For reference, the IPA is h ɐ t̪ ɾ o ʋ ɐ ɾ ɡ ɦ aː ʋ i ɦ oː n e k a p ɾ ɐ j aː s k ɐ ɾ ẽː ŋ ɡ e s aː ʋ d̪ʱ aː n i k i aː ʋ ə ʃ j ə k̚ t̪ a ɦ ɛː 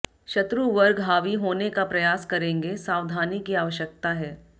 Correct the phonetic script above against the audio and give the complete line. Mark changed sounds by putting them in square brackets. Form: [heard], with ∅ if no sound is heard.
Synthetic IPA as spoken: [ʃ] ɐ t̪ ɾ [u] ʋ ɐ ɾ ɡ ɦ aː ʋ i ɦ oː n e k a p ɾ ɐ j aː s k ɐ ɾ ẽː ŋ ɡ e s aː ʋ d̪ʱ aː n i k i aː ʋ ə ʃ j ə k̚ t̪ a ɦ ɛː